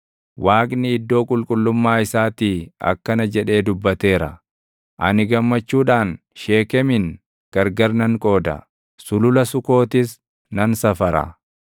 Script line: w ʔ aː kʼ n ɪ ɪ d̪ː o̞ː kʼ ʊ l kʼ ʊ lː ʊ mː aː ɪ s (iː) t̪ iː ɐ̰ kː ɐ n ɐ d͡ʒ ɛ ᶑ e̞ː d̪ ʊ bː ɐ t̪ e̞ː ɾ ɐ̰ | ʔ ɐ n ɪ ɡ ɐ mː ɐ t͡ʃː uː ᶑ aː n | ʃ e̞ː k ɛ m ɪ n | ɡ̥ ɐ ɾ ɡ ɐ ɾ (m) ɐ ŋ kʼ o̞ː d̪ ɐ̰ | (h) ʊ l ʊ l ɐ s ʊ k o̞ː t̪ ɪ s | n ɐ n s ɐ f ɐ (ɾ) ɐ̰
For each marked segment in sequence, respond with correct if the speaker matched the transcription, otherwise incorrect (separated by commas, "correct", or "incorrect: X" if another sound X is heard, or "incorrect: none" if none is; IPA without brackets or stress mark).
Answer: incorrect: aː, incorrect: n, incorrect: s, correct